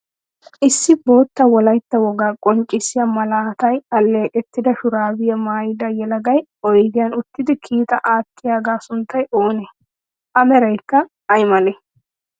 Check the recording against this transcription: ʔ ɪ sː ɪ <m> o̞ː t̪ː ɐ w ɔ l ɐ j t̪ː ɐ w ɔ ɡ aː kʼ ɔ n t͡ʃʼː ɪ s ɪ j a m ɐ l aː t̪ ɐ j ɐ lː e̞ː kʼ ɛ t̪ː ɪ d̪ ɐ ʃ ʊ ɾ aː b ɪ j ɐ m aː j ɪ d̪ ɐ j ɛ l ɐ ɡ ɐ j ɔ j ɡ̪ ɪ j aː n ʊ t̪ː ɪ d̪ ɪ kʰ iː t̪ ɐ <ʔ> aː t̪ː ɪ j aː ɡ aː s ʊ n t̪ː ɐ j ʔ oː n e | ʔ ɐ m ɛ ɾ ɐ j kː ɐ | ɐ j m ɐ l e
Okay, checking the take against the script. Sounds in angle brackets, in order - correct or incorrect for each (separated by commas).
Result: incorrect, correct